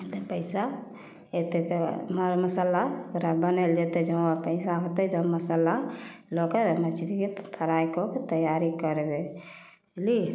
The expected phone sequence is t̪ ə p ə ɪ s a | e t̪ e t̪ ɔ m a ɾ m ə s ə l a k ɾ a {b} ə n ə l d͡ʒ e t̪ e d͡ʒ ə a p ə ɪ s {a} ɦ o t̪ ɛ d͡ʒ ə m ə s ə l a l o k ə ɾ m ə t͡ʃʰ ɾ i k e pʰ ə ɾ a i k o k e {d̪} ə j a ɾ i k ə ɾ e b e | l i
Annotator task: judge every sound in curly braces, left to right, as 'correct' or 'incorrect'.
correct, correct, incorrect

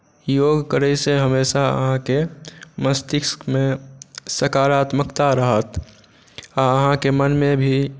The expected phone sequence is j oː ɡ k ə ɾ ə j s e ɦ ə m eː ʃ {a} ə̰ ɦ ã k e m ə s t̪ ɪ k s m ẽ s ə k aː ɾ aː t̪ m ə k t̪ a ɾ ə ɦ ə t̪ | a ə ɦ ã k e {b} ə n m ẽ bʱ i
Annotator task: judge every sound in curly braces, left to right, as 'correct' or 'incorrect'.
correct, incorrect

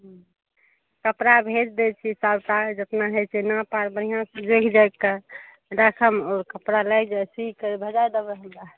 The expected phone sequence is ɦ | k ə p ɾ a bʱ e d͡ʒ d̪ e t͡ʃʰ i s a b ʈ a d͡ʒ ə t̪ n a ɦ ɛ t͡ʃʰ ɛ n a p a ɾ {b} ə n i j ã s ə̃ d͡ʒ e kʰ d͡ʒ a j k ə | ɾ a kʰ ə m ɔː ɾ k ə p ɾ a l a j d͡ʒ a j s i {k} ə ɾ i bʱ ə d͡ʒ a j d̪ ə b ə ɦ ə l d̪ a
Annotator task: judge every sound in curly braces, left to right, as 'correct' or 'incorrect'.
correct, correct

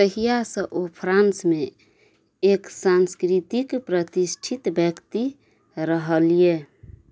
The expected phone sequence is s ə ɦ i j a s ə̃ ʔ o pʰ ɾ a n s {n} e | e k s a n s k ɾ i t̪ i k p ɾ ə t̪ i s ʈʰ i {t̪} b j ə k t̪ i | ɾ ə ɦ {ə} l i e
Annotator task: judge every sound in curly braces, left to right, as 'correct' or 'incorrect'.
incorrect, correct, correct

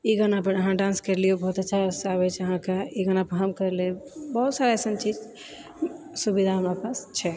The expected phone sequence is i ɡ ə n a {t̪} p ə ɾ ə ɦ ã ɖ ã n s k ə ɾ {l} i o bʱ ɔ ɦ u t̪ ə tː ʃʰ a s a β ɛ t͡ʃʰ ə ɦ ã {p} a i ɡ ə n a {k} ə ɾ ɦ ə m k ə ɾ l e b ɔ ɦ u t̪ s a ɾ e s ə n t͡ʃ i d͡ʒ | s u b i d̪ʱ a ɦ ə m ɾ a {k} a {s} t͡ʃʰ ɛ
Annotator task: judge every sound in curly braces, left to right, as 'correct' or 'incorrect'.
incorrect, correct, incorrect, incorrect, incorrect, correct

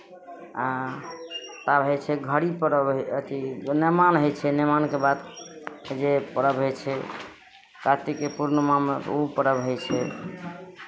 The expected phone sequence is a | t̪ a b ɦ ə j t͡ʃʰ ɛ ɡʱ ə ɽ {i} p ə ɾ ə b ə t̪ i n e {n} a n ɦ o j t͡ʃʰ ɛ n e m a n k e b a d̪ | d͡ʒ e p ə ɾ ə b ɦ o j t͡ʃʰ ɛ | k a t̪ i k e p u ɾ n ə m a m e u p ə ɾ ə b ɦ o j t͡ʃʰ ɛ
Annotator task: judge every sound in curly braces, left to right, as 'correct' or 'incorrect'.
correct, incorrect

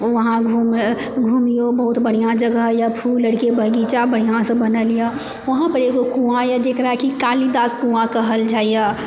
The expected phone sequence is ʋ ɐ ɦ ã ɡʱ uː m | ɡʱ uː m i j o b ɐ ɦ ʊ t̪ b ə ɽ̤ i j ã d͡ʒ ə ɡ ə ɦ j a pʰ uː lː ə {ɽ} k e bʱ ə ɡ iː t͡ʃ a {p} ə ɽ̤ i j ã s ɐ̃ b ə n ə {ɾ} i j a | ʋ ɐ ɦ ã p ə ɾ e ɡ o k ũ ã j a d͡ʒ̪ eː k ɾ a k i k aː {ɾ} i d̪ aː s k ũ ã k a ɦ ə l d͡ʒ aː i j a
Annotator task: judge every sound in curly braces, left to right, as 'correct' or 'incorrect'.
correct, incorrect, incorrect, incorrect

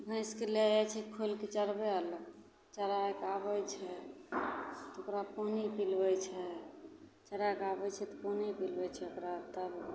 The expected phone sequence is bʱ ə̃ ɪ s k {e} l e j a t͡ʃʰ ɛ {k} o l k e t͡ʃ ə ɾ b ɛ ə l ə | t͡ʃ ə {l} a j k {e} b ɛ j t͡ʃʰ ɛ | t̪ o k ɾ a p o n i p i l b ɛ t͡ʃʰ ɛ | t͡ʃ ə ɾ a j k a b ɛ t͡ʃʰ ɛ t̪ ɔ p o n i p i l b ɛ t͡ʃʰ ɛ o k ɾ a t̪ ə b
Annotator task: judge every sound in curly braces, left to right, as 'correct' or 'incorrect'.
correct, incorrect, incorrect, incorrect

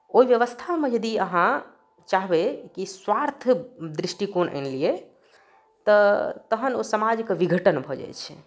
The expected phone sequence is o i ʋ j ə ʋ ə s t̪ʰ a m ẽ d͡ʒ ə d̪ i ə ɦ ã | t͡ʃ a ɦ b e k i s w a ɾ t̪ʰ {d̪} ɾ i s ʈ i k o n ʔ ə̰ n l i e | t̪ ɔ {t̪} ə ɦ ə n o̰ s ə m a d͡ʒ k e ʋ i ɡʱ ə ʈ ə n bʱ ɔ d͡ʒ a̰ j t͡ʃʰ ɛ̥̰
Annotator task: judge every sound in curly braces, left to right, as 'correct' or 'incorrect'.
correct, correct

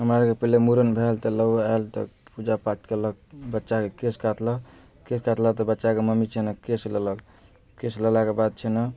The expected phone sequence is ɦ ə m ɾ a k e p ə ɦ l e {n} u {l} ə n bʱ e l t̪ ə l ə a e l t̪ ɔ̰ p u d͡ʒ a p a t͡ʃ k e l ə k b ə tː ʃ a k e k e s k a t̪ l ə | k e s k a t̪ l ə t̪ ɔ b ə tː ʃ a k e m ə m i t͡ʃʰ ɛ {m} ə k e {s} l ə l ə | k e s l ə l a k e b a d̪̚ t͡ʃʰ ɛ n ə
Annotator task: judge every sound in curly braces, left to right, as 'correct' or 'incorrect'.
incorrect, incorrect, incorrect, correct

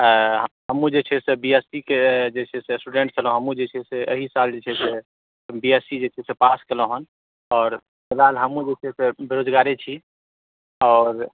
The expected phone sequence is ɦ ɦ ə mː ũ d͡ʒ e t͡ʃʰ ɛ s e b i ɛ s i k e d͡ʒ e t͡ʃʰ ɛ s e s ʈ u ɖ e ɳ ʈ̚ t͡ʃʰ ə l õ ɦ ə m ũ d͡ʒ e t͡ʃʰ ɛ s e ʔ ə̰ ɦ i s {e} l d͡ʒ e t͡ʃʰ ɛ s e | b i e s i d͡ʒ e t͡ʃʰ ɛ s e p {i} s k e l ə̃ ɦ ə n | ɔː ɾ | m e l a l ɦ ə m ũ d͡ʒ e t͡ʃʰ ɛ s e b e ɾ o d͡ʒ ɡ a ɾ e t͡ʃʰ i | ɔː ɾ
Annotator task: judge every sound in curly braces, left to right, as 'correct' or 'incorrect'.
incorrect, incorrect

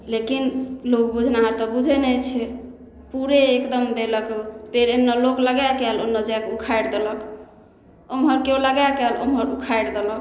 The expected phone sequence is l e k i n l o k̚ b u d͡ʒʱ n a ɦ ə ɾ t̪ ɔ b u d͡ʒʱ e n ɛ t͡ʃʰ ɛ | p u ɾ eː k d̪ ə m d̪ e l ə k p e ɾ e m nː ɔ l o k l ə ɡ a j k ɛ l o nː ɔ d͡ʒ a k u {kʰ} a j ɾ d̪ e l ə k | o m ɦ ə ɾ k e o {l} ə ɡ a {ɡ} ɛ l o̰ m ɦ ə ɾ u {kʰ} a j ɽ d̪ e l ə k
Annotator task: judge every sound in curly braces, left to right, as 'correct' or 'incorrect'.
correct, correct, incorrect, correct

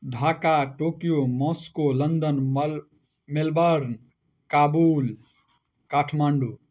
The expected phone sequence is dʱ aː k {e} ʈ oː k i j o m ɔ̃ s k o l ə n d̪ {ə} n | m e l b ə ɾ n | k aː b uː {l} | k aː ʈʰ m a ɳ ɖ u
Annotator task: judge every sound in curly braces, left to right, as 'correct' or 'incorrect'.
incorrect, correct, correct

